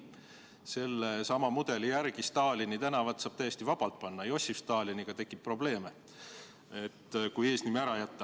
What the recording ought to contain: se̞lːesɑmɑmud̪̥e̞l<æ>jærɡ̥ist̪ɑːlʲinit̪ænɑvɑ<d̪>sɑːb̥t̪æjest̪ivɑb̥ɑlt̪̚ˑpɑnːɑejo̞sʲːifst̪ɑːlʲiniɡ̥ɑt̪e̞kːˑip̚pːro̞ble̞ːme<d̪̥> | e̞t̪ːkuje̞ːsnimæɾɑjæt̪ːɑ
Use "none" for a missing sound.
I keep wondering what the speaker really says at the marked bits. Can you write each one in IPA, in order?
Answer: i, t̪, none

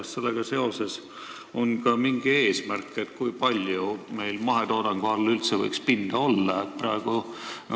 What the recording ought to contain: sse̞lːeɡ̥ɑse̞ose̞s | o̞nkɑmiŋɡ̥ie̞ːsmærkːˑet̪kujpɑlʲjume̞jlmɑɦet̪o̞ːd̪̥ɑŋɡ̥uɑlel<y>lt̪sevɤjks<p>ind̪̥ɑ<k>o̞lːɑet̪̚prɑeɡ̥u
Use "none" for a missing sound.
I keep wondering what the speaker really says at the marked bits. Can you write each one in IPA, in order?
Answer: y, p, none

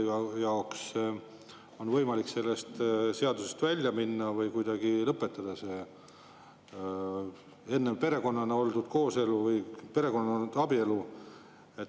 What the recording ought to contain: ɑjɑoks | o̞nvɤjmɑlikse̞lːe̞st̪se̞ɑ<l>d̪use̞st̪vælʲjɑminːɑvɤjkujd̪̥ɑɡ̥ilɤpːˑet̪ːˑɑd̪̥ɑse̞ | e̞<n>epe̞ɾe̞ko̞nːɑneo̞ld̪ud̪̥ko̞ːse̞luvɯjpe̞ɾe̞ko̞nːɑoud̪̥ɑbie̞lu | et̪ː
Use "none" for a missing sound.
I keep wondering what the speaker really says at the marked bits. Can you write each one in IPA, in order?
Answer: none, nː

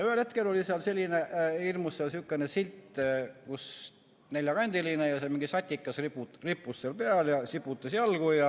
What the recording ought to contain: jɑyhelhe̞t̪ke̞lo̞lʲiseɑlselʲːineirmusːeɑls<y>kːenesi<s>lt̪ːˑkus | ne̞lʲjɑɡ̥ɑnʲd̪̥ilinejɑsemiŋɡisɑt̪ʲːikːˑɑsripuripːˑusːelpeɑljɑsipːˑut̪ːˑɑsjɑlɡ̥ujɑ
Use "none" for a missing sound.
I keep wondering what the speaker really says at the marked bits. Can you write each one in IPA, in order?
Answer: y, none

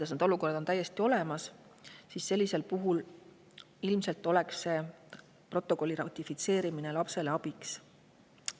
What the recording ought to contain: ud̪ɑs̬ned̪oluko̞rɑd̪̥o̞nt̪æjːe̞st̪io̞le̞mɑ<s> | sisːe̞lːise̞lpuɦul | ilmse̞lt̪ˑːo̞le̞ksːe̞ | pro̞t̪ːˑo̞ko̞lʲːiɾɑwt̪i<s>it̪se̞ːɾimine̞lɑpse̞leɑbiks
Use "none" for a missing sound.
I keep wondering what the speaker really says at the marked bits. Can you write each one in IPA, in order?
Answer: s, f

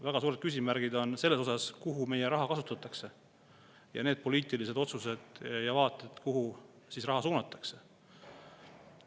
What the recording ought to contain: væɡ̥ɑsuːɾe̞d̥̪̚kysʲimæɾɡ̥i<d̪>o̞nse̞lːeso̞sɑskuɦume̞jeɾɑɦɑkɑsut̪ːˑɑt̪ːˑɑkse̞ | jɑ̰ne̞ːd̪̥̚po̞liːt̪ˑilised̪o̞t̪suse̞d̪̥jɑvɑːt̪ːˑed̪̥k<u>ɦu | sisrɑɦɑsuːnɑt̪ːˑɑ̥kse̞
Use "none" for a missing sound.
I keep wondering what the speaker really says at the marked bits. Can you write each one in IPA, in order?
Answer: d̪, u

